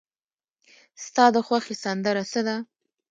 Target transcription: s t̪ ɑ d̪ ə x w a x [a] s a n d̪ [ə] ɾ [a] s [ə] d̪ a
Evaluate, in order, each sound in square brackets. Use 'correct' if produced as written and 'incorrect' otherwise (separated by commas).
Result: incorrect, correct, correct, correct